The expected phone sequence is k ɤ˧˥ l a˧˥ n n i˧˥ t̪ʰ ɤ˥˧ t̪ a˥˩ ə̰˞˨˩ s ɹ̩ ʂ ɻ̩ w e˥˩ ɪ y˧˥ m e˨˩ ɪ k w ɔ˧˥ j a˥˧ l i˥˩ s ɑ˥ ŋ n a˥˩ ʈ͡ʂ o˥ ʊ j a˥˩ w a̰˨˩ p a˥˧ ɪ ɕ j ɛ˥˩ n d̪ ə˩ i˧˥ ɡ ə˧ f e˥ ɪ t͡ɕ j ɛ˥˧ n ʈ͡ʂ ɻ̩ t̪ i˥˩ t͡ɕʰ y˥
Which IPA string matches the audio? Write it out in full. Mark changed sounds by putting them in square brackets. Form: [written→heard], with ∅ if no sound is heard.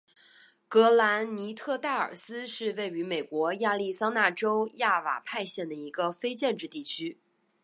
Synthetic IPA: k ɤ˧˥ l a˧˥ n n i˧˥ t̪ʰ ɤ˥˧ t̪ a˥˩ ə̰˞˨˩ s ɹ̩ ʂ ɻ̩ w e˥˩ ɪ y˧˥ m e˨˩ ɪ k w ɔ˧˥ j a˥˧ l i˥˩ s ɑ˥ ŋ n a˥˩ ʈ͡ʂ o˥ ʊ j a˥˩ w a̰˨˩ [p→pʰ] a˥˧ ɪ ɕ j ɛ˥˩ n d̪ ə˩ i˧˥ ɡ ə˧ f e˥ ɪ t͡ɕ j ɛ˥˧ n ʈ͡ʂ ɻ̩ t̪ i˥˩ t͡ɕʰ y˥